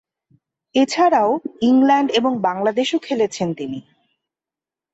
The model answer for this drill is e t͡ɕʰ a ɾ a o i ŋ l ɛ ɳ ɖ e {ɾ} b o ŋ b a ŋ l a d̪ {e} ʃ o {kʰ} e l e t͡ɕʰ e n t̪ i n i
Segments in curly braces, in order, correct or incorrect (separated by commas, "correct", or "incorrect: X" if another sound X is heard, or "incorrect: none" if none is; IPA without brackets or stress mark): incorrect: none, correct, correct